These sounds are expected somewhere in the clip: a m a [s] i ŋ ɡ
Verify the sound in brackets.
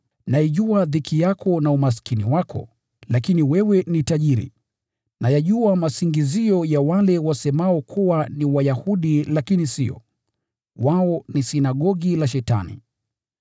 correct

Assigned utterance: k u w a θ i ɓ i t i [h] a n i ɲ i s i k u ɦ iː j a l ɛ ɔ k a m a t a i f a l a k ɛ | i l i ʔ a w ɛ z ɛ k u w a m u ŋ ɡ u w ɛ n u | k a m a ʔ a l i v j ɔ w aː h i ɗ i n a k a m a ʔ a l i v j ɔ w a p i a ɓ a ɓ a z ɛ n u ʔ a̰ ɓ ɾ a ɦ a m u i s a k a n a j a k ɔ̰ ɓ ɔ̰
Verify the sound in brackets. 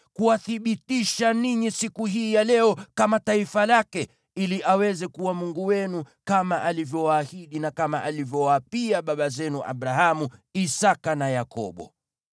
incorrect: ʃ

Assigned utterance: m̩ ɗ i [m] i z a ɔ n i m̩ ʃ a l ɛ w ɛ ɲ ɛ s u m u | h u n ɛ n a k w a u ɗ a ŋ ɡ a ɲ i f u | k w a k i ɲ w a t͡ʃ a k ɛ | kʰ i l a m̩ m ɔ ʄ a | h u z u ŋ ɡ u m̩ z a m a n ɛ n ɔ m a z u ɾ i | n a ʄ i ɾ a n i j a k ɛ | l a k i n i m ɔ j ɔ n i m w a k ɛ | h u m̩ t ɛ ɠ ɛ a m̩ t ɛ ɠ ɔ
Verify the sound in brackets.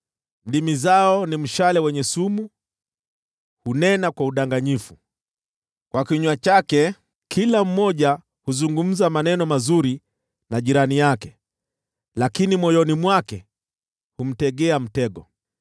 correct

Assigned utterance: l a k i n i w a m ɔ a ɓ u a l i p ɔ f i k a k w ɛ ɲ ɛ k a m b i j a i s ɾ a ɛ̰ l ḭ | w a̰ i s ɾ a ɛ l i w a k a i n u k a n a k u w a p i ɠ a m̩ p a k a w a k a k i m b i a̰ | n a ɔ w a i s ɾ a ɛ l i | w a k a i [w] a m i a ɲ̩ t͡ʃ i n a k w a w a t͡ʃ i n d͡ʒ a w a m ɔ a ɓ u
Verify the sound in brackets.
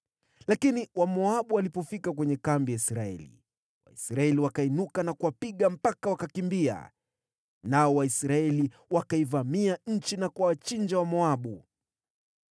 incorrect: v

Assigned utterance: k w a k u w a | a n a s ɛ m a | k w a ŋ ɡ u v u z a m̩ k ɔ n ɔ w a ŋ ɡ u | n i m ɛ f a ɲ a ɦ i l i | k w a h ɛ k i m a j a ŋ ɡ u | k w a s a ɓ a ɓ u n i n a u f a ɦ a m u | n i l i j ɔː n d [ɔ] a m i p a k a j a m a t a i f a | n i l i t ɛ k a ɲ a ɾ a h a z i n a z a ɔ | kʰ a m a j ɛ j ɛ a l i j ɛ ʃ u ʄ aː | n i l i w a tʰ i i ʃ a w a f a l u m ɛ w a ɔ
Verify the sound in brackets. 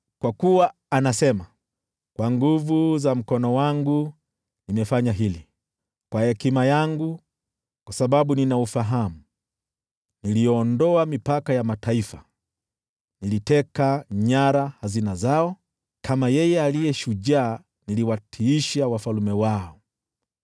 correct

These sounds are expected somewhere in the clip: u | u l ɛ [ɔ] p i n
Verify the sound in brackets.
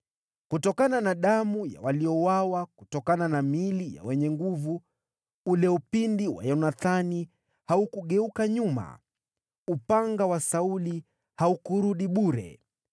incorrect: u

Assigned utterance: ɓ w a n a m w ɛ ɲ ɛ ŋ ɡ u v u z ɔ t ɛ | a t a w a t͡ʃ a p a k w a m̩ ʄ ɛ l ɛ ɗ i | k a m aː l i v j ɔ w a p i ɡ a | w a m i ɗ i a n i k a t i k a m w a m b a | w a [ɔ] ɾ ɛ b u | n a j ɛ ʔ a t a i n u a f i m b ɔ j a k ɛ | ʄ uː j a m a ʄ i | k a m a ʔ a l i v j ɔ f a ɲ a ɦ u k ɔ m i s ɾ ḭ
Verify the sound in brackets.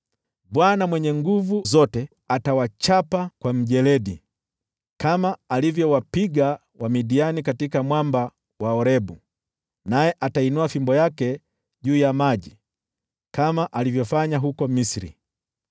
correct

